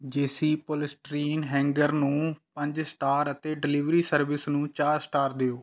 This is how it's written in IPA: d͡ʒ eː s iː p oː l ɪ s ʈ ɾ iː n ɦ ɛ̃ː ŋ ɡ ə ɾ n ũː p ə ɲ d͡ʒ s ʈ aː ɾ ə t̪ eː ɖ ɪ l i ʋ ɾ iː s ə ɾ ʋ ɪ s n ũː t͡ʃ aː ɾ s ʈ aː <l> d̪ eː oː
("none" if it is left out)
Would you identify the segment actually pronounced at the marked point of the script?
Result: ɾ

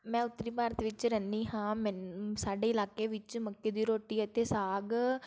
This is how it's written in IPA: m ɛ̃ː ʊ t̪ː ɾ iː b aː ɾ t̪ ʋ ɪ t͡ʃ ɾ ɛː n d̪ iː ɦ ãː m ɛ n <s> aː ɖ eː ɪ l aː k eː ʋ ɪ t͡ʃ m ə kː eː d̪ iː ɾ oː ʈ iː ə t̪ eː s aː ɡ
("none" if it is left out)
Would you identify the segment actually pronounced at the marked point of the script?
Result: s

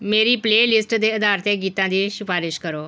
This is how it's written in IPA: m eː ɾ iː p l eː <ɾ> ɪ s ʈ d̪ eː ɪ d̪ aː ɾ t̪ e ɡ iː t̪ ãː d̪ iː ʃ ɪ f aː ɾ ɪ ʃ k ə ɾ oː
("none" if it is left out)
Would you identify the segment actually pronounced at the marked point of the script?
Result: l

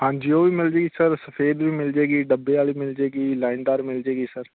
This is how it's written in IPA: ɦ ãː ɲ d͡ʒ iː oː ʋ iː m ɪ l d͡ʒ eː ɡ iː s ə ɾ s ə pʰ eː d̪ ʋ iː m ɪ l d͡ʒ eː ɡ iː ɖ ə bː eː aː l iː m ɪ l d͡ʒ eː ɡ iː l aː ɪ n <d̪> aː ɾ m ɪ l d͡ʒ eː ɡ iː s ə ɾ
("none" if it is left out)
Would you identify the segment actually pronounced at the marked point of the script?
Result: d̪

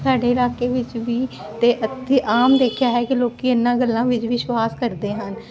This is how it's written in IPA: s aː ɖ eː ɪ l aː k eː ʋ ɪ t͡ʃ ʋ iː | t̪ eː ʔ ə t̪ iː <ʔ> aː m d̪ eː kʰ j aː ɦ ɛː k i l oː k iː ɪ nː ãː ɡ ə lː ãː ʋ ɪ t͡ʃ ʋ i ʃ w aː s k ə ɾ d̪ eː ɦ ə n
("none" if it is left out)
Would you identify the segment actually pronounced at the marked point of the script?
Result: ʔ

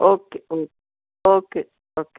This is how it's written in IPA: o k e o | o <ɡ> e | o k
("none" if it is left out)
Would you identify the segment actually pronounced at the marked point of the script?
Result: k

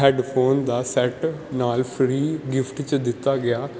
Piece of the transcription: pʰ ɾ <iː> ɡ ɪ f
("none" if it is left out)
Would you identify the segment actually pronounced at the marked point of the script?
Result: iː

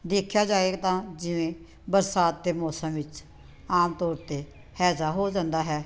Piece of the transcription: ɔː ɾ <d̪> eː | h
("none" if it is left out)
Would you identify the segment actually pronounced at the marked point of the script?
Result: t̪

